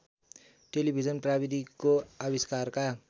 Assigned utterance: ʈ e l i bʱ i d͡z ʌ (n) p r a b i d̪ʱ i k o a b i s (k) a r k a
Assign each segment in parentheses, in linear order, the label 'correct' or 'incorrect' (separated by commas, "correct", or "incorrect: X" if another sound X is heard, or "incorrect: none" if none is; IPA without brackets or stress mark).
correct, correct